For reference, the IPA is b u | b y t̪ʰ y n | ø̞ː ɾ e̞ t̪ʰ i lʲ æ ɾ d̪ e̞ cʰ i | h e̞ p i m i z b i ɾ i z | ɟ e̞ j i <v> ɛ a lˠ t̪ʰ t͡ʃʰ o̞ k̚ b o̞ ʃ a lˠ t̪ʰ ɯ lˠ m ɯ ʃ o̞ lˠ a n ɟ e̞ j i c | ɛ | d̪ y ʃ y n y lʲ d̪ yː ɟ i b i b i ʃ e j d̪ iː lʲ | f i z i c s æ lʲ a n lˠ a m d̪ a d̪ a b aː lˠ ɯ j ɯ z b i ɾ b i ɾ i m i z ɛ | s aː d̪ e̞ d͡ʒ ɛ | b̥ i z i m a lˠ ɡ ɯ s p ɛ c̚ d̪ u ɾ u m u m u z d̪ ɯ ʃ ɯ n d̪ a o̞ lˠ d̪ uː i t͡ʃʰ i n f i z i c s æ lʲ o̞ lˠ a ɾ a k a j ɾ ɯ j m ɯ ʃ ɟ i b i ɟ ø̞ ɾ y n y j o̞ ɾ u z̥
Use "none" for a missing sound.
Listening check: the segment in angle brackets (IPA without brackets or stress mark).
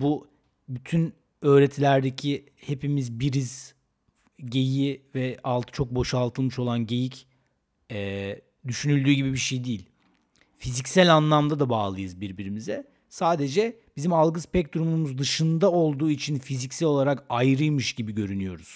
v